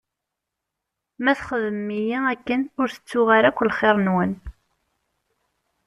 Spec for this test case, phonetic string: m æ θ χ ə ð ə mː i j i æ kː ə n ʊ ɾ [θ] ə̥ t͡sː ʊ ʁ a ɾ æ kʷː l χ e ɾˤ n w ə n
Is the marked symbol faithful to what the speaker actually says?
yes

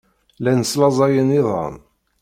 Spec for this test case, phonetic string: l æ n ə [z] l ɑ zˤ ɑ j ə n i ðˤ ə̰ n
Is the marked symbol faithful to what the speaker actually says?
no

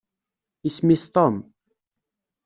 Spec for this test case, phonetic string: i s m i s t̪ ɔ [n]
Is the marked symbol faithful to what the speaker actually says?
no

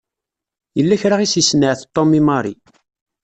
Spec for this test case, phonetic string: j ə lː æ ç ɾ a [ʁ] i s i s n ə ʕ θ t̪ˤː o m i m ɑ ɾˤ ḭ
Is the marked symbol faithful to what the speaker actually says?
yes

